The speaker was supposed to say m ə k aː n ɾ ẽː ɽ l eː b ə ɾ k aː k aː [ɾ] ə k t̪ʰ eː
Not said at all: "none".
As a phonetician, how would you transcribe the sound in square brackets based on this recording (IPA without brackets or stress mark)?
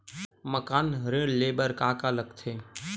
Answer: l